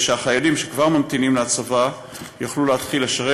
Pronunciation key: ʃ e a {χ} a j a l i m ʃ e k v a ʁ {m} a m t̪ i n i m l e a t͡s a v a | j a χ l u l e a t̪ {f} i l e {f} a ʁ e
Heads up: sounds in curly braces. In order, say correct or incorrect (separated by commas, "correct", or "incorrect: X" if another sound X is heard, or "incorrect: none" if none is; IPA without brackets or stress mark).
correct, correct, incorrect: χ, incorrect: ʃ